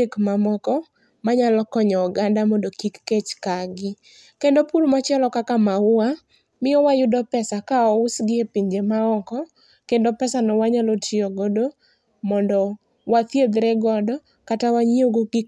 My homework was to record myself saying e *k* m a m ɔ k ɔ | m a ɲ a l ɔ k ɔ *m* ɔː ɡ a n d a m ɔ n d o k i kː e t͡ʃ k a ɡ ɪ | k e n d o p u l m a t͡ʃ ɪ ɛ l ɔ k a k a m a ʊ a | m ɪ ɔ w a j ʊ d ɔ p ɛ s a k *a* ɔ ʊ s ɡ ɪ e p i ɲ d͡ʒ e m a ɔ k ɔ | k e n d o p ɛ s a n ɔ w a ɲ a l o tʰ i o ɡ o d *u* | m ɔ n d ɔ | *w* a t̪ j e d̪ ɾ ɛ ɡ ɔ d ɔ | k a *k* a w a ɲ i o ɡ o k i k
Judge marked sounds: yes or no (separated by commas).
yes, no, yes, no, yes, no